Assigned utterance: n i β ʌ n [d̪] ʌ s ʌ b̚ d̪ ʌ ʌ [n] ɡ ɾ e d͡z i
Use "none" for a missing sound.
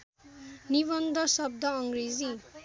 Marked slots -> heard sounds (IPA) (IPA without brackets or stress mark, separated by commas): d̪, ŋ